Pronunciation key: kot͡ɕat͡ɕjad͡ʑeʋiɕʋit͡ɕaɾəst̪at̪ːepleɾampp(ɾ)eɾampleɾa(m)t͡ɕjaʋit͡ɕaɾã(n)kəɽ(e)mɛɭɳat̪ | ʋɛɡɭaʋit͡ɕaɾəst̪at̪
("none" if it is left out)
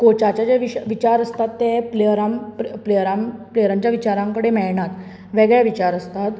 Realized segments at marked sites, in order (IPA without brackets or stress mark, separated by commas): l, ɲ, ŋ, e